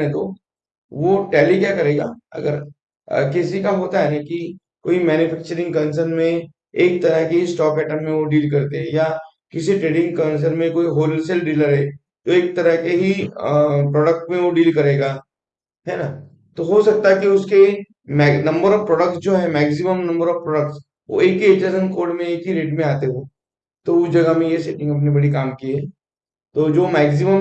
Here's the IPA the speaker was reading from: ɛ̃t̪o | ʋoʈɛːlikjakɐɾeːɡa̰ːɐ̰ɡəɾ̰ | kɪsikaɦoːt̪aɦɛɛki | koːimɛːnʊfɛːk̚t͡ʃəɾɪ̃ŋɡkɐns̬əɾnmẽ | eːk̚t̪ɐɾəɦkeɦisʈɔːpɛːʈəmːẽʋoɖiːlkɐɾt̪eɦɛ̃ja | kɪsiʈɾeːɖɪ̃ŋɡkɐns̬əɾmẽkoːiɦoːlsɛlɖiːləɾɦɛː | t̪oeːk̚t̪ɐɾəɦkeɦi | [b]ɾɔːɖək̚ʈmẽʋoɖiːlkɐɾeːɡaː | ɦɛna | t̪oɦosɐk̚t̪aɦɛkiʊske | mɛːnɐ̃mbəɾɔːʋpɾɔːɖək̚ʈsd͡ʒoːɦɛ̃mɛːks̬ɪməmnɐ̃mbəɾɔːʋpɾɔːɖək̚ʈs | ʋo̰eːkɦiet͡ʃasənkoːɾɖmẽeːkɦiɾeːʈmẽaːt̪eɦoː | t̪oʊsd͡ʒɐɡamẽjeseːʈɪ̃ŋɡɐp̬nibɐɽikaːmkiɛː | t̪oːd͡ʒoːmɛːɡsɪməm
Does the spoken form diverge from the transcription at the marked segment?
yes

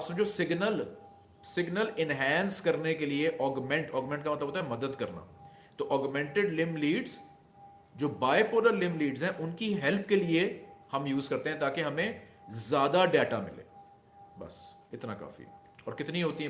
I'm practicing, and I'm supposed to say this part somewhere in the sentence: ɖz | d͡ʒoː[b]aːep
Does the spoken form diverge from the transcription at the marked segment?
no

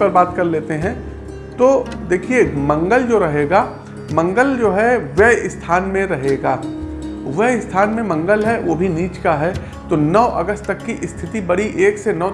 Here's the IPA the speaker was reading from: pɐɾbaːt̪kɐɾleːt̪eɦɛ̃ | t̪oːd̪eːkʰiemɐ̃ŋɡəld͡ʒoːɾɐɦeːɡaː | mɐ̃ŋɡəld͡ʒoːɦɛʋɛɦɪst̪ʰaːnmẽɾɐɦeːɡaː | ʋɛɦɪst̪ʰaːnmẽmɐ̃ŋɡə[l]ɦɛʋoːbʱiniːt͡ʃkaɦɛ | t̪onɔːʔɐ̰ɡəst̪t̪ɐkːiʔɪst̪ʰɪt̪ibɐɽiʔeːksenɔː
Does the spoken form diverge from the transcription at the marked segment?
no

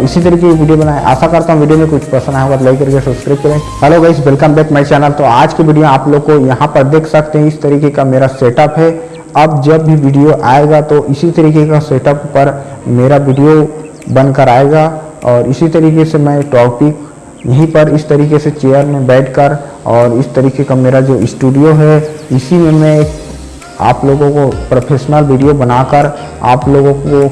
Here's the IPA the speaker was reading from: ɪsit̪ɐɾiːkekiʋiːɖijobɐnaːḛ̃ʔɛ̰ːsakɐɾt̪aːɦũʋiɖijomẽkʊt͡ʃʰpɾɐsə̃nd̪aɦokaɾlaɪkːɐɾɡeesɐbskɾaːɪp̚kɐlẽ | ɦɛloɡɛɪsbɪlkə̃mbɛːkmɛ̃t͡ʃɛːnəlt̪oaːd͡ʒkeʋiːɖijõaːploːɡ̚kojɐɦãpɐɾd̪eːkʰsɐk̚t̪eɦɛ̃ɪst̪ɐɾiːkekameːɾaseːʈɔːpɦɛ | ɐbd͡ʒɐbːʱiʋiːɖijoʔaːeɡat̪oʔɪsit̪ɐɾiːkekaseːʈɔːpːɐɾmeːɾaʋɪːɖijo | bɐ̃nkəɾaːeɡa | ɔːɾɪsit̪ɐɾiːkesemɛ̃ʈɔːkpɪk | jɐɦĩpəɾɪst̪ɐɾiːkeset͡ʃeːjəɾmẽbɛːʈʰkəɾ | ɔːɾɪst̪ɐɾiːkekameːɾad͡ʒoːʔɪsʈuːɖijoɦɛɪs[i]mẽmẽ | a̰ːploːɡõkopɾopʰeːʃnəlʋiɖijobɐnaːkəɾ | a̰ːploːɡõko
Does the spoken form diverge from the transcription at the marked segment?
no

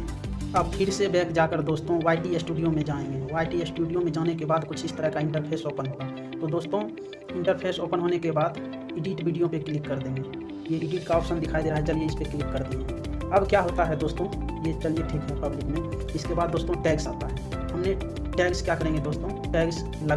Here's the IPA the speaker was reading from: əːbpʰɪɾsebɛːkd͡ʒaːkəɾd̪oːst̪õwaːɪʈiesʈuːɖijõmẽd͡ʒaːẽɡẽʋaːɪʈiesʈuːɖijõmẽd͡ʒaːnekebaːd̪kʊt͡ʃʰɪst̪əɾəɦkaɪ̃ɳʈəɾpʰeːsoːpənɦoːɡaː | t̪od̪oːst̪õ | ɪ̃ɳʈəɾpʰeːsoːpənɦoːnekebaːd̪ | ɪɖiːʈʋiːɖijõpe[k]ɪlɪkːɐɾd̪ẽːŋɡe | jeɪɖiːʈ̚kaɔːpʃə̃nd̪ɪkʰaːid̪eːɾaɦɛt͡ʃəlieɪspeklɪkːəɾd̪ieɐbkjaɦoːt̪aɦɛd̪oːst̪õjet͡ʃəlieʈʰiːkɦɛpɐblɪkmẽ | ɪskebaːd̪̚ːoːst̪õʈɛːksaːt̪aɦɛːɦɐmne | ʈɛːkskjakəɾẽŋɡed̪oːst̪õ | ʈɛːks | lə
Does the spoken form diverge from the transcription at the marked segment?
no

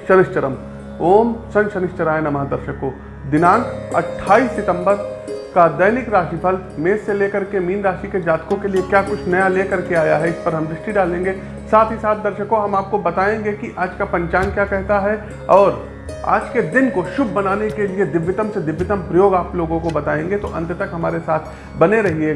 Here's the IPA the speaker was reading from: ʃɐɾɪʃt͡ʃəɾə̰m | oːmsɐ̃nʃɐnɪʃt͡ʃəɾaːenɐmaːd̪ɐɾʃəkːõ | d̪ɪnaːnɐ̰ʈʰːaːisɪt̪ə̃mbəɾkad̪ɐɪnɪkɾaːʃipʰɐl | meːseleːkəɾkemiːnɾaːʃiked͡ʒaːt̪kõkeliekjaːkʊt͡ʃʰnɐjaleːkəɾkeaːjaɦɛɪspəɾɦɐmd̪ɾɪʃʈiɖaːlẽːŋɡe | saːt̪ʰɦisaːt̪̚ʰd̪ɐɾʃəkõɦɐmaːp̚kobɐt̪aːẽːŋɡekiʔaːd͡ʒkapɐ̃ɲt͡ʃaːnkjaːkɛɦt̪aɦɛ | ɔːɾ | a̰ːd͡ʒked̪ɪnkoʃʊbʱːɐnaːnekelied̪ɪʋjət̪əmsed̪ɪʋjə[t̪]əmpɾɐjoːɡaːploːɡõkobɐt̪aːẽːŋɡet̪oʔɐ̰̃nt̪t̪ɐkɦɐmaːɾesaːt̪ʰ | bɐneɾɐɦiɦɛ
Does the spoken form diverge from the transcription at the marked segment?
no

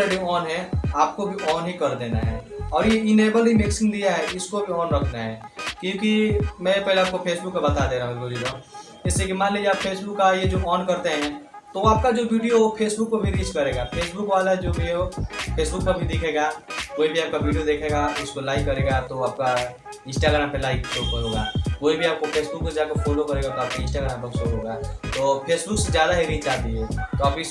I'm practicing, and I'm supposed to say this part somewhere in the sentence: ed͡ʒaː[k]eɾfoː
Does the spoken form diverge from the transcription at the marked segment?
no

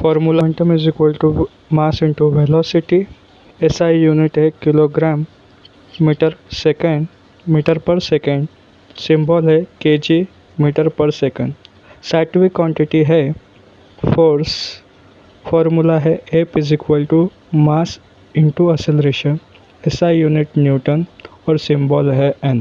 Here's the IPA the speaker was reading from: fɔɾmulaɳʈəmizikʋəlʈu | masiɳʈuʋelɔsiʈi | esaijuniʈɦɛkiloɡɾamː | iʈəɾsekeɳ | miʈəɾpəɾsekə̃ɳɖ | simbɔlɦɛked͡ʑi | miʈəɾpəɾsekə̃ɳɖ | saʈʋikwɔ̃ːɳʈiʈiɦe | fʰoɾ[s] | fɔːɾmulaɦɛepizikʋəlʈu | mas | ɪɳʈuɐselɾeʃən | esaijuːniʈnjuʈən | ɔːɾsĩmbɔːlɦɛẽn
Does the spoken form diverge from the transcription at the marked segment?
no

